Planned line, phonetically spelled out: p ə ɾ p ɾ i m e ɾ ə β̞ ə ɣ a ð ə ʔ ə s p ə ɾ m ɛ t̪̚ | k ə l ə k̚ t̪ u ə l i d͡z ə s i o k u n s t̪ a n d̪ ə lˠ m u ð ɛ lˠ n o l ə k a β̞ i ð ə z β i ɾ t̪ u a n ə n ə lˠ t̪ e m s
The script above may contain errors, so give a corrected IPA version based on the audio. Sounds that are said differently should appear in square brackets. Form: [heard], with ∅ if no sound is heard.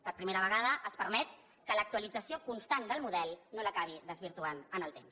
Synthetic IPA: p ə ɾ p ɾ i m e ɾ ə β̞ ə ɣ a ð ə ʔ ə s p ə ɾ m ɛ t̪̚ | k ə l ə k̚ t̪ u ə l i d͡z ə s i o k u n s t̪ a n d̪ ə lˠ m u ð ɛ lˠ n o l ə k a β̞ i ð ə z β i ɾ t̪ u a n ə n ə lˠ t̪ e m s